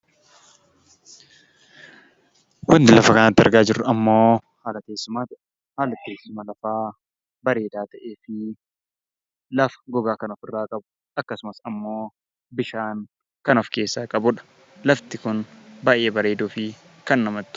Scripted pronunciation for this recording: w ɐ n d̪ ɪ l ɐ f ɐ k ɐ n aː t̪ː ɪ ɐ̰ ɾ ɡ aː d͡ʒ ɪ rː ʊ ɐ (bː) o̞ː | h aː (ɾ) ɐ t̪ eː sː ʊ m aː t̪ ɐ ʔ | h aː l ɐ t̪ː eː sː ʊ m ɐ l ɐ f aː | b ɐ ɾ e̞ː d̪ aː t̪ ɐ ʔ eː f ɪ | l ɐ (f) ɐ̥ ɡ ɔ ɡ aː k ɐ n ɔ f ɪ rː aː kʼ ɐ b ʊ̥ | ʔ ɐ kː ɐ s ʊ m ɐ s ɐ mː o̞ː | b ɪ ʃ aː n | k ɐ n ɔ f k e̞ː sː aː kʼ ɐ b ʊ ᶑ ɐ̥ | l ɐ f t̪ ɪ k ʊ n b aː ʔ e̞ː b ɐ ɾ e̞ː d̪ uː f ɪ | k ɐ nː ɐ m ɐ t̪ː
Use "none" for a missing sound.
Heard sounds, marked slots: mː, l, f

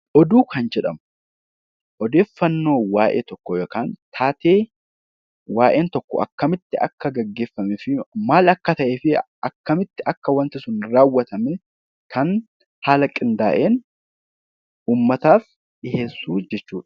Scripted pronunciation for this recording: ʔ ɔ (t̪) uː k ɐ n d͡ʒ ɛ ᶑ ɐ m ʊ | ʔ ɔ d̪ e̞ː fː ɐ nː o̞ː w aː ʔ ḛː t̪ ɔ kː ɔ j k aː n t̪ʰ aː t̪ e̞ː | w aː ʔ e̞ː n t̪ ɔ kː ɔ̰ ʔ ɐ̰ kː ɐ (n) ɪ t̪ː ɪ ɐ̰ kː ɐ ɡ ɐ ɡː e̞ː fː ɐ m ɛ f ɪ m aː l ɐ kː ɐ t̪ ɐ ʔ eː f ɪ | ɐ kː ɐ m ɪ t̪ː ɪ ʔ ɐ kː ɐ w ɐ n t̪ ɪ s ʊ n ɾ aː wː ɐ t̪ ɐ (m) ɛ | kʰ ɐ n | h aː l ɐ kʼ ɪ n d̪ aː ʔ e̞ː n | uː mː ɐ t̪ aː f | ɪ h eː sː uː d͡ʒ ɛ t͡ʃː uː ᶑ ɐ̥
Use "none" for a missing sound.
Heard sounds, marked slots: d̪, m, m

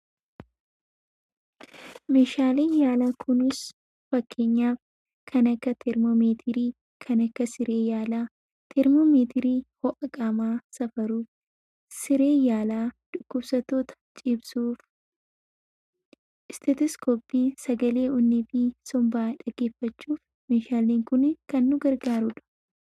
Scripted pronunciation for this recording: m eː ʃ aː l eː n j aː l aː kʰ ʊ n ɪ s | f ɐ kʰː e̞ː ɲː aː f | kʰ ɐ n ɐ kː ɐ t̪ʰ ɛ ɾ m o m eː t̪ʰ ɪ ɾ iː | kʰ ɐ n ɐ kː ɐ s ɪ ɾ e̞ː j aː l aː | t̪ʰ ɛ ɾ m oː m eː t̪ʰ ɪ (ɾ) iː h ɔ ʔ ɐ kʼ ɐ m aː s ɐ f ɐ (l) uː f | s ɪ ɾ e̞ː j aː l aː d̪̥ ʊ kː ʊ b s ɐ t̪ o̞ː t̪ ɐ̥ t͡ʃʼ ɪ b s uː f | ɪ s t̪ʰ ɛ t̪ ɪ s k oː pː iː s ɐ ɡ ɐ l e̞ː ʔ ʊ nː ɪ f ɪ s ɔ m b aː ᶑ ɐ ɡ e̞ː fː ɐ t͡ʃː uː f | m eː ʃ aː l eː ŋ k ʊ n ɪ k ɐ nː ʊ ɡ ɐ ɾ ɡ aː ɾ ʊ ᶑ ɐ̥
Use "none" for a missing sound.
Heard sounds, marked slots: ɾ, ɾ

